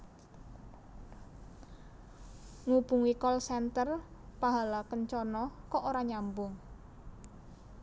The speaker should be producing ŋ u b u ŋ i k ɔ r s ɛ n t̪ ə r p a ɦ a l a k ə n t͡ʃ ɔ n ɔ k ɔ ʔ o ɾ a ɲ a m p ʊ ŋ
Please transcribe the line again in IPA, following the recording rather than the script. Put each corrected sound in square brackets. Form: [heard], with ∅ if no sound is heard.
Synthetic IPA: ŋ u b u ŋ i k ɔ [l] s ɛ n t̪ ə r p a ɦ a l a k ə n t͡ʃ ɔ n ɔ k ɔ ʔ o ɾ a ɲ a m [b] ʊ ŋ

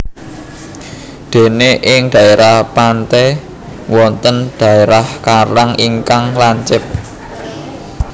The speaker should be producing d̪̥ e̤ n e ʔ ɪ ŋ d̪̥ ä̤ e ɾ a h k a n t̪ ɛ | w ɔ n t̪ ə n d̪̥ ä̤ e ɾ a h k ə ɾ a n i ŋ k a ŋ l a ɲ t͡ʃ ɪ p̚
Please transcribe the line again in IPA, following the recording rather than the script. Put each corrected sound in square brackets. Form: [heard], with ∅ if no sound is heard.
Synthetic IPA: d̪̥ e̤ n e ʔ ɪ ŋ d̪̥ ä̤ e ɾ a h [p] a n t̪ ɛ | w ɔ n t̪ ə n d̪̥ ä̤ e ɾ a h k [a] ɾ a [ŋ] i ŋ k a ŋ l a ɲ t͡ʃ ɪ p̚

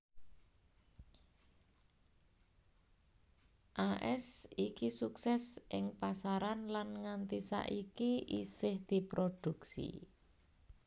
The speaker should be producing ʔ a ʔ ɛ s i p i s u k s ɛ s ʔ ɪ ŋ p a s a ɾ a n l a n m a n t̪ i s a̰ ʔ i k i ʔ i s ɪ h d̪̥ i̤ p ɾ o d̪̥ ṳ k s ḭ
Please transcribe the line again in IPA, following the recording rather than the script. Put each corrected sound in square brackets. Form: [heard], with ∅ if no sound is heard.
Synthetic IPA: ʔ a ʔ ɛ s i [k] i s u k s ɛ s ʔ ɪ ŋ p a s a ɾ a n l a n [ŋ] a n t̪ i s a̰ ʔ i k i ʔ i s ɪ h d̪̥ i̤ p ɾ o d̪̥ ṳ k s ḭ

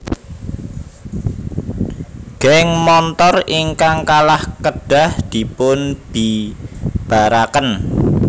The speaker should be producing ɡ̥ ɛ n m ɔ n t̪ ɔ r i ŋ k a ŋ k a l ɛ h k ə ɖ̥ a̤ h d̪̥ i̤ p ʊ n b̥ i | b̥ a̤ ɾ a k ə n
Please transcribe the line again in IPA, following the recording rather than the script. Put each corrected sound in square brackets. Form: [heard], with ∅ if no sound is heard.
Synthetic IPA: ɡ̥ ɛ [ŋ] m ɔ n t̪ ɔ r i ŋ k a ŋ k a l [a] h k ə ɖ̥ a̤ h d̪̥ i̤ p ʊ n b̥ i | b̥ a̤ ɾ a k ə n

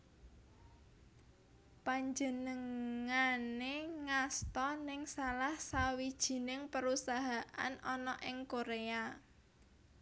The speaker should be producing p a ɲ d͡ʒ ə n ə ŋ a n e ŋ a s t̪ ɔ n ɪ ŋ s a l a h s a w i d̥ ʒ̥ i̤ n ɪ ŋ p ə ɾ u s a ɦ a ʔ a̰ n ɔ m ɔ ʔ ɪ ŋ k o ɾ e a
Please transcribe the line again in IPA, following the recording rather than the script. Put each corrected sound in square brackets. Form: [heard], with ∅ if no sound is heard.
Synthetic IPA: p a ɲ d͡ʒ ə n ə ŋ a n e ŋ a s t̪ ɔ n ɪ ŋ s a l a h s a w i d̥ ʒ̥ i̤ n ɪ ŋ p ə ɾ u s a ɦ a ʔ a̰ n ɔ [n] ɔ ʔ ɪ ŋ k o ɾ e a

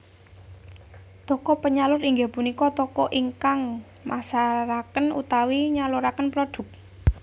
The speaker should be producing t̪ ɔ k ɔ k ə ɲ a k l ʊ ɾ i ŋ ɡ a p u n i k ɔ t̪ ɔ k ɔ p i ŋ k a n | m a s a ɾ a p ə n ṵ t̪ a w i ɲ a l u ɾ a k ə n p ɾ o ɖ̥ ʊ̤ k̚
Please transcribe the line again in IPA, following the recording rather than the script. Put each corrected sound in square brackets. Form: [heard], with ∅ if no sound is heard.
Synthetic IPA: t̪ ɔ k ɔ [p] ə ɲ a [∅] l ʊ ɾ i ŋ ɡ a p u n i k ɔ t̪ ɔ k ɔ [ʔ] i ŋ k a [ŋ] | m a s a ɾ a [k] ə n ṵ t̪ a w i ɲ a l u ɾ a k ə n p ɾ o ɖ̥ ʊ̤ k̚

